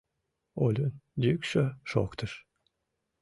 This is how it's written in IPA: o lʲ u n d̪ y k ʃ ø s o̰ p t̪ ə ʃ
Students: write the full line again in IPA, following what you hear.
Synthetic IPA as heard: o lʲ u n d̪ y k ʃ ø ʃ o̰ k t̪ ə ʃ